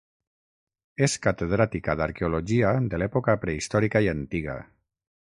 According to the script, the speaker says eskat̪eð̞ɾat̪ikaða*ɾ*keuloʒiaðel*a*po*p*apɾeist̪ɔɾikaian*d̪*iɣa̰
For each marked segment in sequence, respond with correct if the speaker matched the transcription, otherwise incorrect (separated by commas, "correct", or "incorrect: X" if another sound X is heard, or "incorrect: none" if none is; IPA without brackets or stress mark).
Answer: correct, incorrect: ɛ, incorrect: k, incorrect: t̪